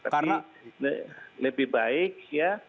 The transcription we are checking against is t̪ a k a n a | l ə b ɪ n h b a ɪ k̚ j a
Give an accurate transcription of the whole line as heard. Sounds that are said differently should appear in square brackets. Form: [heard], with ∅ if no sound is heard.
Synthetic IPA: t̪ a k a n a | l ə b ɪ [∅] h b a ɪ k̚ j a